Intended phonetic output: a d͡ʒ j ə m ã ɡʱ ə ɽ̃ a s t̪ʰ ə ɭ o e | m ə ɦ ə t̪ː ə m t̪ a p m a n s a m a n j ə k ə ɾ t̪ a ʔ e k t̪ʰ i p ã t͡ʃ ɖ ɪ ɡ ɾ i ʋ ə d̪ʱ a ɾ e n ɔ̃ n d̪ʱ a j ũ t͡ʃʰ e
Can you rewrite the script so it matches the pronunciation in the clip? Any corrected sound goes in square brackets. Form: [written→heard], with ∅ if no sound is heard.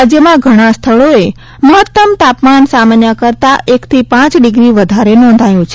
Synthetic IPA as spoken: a d͡ʒ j ə m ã ɡʱ ə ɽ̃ a s t̪ʰ ə ɭ o e | m ə ɦ ə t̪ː ə m t̪ a p m a n s a m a n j ə k ə ɾ t̪ a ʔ e k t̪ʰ i p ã t͡ʃ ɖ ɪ ɡ ɾ i ʋ ə d̪ʱ a ɾ e n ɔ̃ n d̪ʱ a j ũ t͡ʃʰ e